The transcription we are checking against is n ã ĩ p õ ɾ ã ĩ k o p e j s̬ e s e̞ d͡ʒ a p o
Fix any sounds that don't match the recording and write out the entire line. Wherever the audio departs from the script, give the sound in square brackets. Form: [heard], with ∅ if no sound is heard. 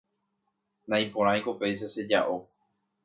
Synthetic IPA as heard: n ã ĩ p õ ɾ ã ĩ k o p e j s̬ e s e̞ d͡ʒ a [ʔ] o